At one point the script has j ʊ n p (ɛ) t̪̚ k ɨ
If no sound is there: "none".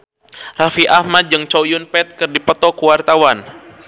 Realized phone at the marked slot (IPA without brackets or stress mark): ɛ